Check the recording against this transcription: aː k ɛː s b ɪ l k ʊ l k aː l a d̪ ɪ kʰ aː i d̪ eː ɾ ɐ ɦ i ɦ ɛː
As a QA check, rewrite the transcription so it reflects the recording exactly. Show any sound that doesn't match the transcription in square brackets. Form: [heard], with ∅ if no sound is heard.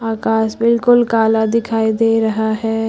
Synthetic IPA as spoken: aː k [aː] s b ɪ l k ʊ l k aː l a d̪ ɪ kʰ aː i d̪ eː ɾ ɐ ɦ [a] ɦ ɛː